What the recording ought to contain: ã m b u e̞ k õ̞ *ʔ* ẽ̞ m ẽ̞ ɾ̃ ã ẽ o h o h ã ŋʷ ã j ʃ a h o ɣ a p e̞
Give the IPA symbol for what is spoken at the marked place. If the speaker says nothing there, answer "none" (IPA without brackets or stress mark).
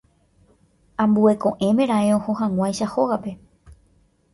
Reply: ʔ